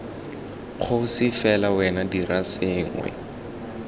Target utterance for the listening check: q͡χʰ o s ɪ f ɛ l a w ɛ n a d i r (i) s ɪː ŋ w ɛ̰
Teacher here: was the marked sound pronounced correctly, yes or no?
no